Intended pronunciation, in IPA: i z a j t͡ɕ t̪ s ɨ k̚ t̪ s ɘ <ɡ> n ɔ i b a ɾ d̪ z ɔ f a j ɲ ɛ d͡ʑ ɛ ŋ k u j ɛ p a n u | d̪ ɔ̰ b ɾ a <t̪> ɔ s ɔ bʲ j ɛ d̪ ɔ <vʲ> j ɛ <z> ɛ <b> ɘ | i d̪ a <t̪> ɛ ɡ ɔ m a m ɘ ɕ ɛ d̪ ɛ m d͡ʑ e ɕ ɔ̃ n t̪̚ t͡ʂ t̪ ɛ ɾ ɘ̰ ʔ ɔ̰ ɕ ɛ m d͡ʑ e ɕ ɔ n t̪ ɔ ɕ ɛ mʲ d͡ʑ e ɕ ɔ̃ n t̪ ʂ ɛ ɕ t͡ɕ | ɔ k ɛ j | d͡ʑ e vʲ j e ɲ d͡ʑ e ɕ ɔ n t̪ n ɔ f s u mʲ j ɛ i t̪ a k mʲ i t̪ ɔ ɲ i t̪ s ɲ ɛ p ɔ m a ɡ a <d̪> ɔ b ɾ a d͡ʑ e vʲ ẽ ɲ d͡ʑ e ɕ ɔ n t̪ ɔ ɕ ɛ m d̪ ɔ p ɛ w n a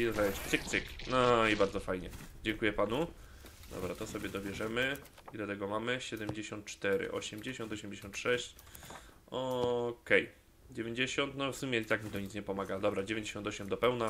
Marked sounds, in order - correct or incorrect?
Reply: incorrect: k, correct, incorrect: bʲ, incorrect: ʐ, incorrect: m, correct, correct

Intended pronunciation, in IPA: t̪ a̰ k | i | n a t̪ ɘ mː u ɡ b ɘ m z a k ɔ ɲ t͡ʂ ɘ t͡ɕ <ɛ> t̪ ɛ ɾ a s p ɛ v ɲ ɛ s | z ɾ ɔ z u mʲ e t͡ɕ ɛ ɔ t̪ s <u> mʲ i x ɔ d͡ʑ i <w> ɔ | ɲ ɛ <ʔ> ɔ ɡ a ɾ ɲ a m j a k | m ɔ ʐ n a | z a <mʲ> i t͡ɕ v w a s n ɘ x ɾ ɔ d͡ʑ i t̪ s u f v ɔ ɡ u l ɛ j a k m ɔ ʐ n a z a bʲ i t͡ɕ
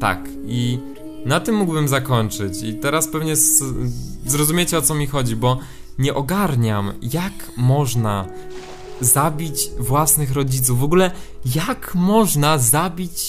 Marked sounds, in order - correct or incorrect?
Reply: incorrect: i, incorrect: ɔ, incorrect: b, correct, incorrect: bʲ

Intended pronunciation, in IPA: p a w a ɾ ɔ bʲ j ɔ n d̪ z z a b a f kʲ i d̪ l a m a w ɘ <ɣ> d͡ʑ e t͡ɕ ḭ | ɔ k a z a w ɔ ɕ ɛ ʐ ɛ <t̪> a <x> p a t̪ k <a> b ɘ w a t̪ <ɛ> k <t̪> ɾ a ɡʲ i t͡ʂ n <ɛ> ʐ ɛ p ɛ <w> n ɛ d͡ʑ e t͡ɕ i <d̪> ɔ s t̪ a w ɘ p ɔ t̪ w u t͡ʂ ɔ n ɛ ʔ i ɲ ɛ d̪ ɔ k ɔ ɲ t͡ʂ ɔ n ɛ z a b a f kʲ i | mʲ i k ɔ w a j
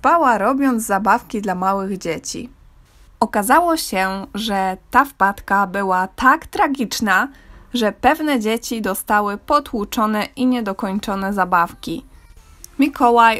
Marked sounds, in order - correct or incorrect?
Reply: correct, correct, incorrect: f, correct, incorrect: a, correct, incorrect: a, incorrect: v, correct

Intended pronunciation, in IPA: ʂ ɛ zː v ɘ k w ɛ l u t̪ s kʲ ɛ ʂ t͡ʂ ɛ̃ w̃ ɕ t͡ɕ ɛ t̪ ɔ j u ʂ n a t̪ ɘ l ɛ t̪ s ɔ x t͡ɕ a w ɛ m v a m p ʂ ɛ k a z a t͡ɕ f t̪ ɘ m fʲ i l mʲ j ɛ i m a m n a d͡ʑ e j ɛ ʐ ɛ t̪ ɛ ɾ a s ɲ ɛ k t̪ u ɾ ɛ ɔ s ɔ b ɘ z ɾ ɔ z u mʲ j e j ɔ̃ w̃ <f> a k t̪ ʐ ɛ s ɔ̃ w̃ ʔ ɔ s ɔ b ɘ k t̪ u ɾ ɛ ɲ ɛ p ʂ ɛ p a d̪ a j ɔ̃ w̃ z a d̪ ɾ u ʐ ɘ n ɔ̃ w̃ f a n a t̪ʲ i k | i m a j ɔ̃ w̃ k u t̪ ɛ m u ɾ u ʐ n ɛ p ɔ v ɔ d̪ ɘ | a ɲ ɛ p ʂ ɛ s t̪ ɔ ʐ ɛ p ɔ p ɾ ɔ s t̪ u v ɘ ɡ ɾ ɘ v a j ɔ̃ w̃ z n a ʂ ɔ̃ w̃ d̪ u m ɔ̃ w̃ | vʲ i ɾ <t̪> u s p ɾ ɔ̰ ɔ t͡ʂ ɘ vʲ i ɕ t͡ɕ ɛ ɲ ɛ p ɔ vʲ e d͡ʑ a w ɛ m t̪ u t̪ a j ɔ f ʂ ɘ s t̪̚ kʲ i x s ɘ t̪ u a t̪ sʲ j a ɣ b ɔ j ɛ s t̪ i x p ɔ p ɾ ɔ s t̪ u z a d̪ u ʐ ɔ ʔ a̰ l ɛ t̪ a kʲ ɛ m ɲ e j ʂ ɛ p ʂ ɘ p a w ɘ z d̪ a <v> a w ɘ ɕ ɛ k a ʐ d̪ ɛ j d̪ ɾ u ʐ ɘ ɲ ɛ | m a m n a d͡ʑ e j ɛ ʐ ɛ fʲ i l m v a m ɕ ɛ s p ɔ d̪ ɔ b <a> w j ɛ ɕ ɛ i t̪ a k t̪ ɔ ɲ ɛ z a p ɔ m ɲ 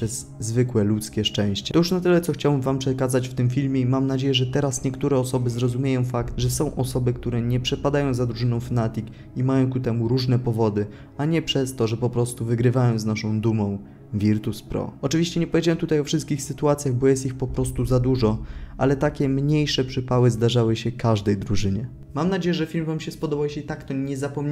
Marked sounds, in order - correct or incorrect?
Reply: correct, correct, incorrect: ʐ, correct

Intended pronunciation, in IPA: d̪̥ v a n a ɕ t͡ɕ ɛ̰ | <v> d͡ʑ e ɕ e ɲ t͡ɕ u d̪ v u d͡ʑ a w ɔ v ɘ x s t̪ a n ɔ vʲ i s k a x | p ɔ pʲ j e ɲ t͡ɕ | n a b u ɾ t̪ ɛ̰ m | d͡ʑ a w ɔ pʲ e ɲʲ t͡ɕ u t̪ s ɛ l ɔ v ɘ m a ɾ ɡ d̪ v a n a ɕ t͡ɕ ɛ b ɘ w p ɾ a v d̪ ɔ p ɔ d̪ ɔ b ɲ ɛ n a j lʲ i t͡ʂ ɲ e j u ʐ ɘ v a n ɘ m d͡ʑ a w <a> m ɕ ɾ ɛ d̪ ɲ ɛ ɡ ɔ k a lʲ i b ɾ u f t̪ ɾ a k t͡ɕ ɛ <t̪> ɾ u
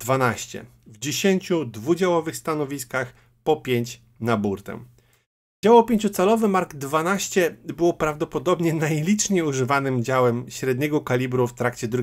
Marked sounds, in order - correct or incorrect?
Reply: correct, incorrect: ɛ, incorrect: d̪

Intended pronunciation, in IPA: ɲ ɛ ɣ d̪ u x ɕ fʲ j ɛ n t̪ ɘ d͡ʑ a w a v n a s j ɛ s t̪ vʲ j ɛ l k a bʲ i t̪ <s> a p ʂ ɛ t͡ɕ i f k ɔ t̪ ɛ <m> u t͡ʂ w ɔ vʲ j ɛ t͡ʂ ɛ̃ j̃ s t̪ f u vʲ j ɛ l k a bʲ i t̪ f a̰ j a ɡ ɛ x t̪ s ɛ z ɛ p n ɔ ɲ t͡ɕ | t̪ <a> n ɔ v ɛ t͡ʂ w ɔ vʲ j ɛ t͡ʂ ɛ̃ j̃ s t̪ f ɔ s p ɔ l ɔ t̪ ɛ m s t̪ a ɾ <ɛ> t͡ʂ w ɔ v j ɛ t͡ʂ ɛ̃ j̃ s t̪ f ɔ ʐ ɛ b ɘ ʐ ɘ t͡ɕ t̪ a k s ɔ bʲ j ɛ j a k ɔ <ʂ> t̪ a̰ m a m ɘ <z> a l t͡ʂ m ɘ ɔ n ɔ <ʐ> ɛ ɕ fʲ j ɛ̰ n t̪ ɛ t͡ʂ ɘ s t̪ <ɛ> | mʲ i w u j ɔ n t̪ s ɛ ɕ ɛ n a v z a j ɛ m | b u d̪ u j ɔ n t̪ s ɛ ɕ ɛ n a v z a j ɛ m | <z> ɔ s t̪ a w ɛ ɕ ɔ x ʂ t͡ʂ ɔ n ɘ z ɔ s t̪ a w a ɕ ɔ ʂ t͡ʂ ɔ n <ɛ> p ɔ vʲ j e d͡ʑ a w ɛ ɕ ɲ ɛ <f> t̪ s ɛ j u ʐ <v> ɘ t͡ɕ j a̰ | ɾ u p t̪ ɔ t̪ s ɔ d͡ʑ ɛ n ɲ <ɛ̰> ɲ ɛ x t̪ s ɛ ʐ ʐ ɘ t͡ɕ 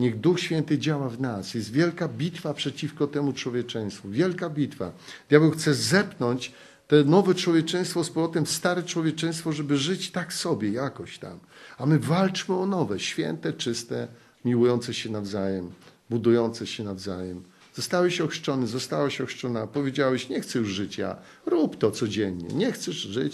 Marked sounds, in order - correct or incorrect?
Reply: incorrect: f, correct, incorrect: ɛ, correct, incorrect: ɕ, incorrect: v, incorrect: v, correct, correct, incorrect: a, incorrect: x, incorrect: ʐ, correct

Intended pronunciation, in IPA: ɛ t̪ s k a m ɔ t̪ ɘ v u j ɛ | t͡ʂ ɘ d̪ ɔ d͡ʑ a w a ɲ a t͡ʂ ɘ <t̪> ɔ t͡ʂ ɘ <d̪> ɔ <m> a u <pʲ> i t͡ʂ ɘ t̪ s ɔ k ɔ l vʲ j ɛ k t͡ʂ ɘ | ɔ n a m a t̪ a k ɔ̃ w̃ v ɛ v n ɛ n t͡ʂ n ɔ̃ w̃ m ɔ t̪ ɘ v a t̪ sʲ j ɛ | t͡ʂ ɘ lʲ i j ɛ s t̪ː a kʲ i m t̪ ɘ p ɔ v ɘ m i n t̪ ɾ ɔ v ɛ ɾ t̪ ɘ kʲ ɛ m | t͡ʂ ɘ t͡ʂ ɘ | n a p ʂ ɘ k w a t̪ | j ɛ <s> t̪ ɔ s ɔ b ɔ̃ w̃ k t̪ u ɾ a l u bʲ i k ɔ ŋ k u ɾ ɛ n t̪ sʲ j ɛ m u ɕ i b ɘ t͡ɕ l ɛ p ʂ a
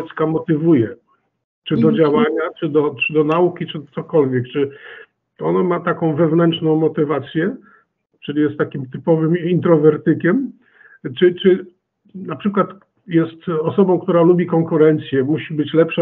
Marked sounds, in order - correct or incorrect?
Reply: incorrect: d̪, correct, incorrect: n, incorrect: kʲ, correct

